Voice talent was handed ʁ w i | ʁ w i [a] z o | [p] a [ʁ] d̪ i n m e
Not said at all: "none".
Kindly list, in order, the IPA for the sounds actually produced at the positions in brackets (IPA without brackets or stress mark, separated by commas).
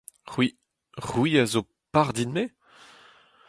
a, p, ʁ